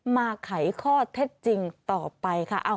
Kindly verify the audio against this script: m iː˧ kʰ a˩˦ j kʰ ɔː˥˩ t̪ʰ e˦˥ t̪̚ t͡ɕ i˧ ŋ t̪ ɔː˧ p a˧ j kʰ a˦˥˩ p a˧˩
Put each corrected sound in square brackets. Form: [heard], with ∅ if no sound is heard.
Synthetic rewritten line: m [aː˧] kʰ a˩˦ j kʰ ɔː˥˩ t̪ʰ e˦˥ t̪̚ t͡ɕ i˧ ŋ t̪ [ɔː˨˩] p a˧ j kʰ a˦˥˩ [ʔ] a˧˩

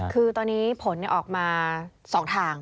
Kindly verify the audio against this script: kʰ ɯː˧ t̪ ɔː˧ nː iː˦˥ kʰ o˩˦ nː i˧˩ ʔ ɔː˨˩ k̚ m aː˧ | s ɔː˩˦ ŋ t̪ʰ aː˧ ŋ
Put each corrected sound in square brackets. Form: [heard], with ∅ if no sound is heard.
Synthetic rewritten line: kʰ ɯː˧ t̪ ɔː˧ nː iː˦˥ [pʰ] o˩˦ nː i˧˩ ʔ ɔː˨˩ k̚ m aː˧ | s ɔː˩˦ ŋ t̪ʰ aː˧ ŋ

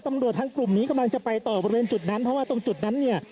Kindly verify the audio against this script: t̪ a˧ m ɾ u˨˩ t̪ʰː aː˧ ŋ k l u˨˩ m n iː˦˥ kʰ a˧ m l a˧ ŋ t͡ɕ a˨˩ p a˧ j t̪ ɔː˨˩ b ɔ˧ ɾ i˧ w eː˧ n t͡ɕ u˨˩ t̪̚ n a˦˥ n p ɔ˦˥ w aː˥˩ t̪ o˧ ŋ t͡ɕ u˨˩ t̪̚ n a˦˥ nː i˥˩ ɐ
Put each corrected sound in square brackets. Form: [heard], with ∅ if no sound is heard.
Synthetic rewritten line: t̪ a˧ m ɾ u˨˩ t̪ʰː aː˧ ŋ k l u˨˩ m n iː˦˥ [k] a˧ m l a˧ ŋ t͡ɕ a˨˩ p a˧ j t̪ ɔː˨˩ b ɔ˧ ɾ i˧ w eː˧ n t͡ɕ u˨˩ t̪̚ n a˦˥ n [pʰ] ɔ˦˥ w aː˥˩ t̪ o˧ ŋ t͡ɕ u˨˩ t̪̚ n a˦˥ nː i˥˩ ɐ

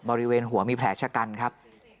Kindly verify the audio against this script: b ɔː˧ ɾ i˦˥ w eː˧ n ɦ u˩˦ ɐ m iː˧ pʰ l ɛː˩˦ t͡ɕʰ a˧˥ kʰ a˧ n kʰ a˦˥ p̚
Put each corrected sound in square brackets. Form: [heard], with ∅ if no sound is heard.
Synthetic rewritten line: b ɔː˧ ɾ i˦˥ w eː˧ n ɦ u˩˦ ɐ m iː˧ pʰ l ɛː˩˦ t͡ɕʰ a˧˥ [k] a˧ n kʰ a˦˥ p̚

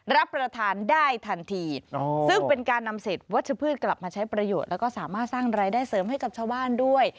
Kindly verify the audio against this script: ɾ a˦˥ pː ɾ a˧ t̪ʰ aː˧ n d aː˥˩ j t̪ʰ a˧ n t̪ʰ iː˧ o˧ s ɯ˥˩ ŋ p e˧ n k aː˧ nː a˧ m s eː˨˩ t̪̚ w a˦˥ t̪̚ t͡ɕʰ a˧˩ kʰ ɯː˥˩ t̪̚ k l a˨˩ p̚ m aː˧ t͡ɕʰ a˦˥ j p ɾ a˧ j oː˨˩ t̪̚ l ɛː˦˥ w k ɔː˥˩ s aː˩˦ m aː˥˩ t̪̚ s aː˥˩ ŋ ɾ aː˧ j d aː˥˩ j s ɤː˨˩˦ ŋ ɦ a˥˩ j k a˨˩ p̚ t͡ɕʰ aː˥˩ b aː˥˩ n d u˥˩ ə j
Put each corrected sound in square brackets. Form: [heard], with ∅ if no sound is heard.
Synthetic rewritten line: ɾ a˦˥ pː ɾ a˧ t̪ʰ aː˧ n d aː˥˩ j t̪ʰ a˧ n t̪ʰ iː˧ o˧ s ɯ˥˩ ŋ p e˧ n k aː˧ nː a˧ m s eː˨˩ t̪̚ w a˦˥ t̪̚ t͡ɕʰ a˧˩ [pʰ] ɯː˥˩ t̪̚ k l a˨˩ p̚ m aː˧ t͡ɕʰ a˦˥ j p ɾ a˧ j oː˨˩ t̪̚ l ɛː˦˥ w k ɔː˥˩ s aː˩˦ m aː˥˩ t̪̚ s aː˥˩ ŋ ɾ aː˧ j d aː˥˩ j s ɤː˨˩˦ [m] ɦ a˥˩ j k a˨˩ p̚ t͡ɕʰ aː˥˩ b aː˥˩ n d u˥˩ ə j

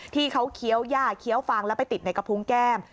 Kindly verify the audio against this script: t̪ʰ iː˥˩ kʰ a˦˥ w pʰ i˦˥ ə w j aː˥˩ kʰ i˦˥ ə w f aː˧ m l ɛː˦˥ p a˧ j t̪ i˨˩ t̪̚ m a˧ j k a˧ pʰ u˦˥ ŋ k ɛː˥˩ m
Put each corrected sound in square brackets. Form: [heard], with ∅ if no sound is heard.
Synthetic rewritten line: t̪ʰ iː˥˩ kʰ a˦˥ w [kʰ] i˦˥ ə w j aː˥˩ kʰ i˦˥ ə w f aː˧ [ŋ] l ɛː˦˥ p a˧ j t̪ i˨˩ t̪̚ [n] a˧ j k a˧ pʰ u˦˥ ŋ k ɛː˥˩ m

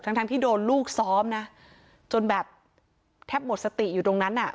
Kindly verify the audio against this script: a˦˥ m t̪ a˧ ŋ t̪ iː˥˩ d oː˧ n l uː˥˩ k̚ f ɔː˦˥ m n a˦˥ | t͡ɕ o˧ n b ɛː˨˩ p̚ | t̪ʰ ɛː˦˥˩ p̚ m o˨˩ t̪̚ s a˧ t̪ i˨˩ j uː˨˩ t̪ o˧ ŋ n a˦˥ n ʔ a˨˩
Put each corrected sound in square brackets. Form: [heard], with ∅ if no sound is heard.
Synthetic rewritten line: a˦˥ [ŋ] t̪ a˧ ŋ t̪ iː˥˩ d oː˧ n l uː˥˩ k̚ [s] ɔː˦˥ m n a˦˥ | t͡ɕ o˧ n b ɛː˨˩ p̚ | t̪ʰ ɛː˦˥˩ p̚ m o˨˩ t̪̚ s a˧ t̪ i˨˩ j uː˨˩ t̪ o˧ ŋ n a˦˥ n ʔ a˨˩

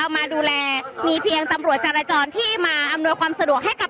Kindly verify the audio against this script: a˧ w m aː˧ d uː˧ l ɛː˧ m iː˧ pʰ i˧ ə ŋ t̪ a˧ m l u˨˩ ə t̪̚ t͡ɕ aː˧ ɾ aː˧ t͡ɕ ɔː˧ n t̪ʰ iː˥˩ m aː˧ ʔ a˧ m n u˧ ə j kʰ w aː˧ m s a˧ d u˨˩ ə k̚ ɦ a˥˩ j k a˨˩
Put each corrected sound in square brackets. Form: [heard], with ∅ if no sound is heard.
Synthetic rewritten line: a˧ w m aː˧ d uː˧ l ɛː˧ m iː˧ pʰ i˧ ə ŋ t̪ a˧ m [ɾ] u˨˩ ə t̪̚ t͡ɕ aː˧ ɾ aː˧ t͡ɕ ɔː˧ n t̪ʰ iː˥˩ m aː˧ ʔ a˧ m n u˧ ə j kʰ w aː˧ m s a˧ d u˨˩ ə k̚ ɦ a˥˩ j k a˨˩

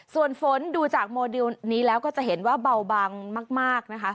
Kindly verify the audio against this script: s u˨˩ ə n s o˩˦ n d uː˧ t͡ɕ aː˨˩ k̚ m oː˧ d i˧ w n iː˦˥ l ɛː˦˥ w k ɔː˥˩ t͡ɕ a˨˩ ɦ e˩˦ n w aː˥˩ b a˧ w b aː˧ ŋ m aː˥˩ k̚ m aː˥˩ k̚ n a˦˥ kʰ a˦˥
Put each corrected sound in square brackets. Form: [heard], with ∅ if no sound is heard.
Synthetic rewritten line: s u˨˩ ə n [f] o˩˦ n d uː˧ t͡ɕ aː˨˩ k̚ m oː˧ d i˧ w n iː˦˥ l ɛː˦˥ w k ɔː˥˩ t͡ɕ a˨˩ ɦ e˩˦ n w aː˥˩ b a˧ w b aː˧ ŋ m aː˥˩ k̚ m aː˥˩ k̚ n a˦˥ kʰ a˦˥

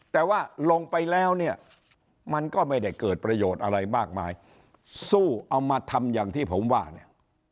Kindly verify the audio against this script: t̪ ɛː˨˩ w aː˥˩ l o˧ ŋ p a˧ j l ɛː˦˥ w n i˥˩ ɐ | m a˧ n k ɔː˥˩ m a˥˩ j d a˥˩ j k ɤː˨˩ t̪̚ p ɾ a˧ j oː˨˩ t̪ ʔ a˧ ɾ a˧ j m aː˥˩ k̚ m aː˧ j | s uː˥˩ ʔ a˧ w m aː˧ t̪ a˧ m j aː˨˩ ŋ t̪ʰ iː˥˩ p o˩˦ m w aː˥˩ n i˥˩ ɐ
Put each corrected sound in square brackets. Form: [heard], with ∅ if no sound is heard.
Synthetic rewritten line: t̪ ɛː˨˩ w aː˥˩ l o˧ ŋ p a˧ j l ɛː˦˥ w n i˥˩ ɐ | m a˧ n k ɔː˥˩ m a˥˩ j d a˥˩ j k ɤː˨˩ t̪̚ p ɾ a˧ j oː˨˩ t̪ ʔ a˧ ɾ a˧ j m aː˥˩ k̚ m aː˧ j | s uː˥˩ ʔ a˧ w m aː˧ [t̪ʰ] a˧ m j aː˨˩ ŋ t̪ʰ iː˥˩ [pʰ] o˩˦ m w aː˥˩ n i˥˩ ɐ

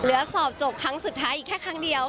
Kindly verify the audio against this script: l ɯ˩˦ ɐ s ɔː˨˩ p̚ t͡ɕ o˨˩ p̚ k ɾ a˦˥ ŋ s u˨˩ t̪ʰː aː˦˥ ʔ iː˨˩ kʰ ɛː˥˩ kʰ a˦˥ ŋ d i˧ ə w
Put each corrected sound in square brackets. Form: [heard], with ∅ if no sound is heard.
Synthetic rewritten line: l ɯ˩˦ ɐ s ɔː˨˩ p̚ t͡ɕ o˨˩ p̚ [kʰ] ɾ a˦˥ ŋ s u˨˩ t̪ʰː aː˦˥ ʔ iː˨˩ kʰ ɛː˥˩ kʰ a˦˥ ŋ d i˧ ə w

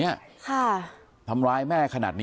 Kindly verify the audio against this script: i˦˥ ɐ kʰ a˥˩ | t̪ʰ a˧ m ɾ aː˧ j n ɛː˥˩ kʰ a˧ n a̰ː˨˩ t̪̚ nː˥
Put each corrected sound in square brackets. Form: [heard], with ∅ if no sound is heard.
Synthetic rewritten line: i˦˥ ɐ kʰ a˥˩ | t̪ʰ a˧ m ɾ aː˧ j [m] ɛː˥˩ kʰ a˧ n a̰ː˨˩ t̪̚ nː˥

